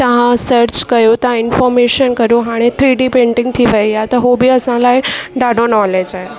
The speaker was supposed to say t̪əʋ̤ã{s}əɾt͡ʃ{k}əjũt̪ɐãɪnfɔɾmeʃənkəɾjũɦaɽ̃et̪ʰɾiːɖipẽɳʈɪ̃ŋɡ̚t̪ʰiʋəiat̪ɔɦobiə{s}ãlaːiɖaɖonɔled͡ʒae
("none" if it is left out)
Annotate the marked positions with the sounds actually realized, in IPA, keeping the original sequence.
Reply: s, k, s

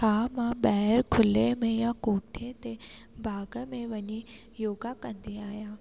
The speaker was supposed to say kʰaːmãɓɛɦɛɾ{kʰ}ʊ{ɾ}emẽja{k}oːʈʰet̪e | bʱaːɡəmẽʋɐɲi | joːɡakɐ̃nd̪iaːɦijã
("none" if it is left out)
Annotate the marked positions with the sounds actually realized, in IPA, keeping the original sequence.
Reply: kʰ, l, k

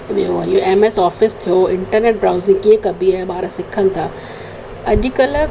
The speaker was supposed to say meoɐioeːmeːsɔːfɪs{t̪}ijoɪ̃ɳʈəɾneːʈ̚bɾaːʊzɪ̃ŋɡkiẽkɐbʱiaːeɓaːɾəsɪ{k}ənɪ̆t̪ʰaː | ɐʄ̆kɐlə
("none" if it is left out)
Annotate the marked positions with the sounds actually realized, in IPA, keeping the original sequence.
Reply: t̪ʰ, kʰ

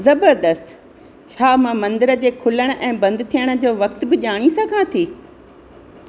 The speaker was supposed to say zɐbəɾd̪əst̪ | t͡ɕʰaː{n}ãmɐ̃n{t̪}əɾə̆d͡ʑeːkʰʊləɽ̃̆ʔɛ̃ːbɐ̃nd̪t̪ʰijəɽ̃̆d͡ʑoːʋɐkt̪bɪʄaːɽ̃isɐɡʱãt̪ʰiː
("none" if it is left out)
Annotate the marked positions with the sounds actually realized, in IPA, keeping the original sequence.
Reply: m, d̪

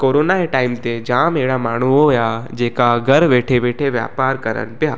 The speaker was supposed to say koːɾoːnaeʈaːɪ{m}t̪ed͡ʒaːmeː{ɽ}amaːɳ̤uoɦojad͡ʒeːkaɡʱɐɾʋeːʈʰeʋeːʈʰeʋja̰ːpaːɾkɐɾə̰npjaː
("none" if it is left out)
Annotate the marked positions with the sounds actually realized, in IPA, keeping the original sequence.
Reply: m, ɽ

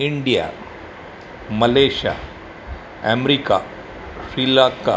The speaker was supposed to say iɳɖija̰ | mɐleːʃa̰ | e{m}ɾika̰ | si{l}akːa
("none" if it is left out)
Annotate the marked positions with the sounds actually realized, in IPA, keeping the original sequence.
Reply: m, l

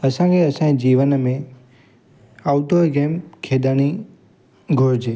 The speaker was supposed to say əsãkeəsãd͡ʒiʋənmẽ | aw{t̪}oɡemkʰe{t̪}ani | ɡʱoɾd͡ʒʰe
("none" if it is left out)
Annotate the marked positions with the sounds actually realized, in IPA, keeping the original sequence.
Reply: t̪, d̪

